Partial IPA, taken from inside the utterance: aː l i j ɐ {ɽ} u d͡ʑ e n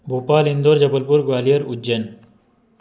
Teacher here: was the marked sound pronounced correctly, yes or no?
no